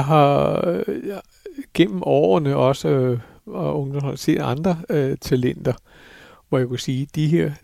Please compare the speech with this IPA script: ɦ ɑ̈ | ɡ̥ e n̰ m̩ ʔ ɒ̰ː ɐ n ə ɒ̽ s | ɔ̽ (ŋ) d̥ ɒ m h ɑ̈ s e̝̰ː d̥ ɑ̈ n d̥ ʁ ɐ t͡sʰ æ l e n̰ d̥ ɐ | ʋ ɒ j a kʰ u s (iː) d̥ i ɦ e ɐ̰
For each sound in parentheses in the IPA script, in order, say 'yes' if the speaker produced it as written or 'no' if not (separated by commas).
yes, yes